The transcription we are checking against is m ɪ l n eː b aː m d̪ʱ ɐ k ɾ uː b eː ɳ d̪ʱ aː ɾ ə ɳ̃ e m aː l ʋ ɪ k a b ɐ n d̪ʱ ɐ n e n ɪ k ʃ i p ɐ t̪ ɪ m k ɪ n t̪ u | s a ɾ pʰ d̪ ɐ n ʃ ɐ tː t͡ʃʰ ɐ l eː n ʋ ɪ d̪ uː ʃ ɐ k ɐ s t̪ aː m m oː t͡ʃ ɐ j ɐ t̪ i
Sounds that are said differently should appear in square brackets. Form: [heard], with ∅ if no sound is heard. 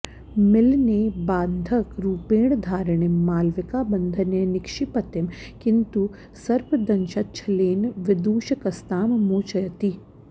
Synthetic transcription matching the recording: m ɪ l n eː b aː [n] d̪ʱ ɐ k ɾ uː [p] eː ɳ d̪ʱ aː ɾ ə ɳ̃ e m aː l ʋ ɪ k a b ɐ n d̪ʱ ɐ n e n ɪ k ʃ i p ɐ t̪ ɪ m k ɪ n t̪ u | s [ɐ] ɾ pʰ d̪ ɐ n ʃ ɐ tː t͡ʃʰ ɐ l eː n ʋ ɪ d̪ uː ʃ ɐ k ɐ s t̪ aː m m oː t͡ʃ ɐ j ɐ t̪ i

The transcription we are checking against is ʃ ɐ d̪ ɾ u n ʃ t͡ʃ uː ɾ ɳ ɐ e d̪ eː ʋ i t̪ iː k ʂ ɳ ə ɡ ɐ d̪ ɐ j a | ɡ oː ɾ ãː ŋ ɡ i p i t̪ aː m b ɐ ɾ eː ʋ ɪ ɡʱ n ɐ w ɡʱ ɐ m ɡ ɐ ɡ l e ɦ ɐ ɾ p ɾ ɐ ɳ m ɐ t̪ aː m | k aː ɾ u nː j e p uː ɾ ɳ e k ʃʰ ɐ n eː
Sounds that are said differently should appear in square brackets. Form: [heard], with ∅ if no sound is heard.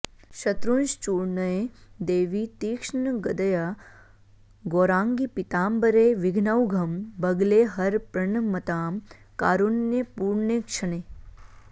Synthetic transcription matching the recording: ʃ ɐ [t̪] ɾ u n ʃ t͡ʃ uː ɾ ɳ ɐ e d̪ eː ʋ i t̪ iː k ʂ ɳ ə ɡ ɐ d̪ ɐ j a | ɡ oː ɾ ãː ŋ ɡ i p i t̪ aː m b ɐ ɾ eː ʋ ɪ ɡʱ n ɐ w ɡʱ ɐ m [b] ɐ ɡ l e ɦ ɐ ɾ p ɾ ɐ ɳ m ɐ t̪ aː m | k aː ɾ u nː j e p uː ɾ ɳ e k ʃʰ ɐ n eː

